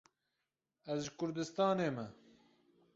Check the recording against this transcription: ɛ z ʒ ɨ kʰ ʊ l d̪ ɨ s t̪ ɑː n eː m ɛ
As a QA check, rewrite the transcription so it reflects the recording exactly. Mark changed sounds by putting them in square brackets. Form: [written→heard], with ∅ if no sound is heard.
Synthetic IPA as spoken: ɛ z ʒ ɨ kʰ ʊ [l→ɾ] d̪ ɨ s t̪ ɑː n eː m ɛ